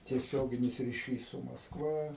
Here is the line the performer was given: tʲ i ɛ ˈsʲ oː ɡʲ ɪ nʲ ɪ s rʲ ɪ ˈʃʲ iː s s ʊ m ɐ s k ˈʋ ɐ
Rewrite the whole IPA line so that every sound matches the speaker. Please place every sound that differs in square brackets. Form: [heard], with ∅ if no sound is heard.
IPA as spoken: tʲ i ɛ ˈsʲ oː ɡʲ ɪ nʲ ɪ s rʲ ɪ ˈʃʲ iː s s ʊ m ɐ s k ˈʋ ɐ